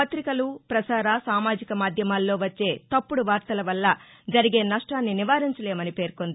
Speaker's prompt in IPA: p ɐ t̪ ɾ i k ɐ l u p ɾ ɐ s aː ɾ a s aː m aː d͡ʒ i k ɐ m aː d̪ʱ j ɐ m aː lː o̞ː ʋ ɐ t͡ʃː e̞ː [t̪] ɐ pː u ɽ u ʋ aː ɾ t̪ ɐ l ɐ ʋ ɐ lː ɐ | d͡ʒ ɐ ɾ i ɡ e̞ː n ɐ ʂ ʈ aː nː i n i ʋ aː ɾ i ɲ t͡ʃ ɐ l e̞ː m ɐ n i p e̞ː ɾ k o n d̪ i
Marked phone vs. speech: correct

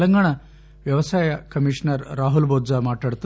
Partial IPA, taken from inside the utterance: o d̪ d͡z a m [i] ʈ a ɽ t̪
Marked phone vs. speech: incorrect: a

